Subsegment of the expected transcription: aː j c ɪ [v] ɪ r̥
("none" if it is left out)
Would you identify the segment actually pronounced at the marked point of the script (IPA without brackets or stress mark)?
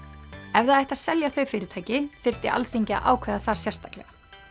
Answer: f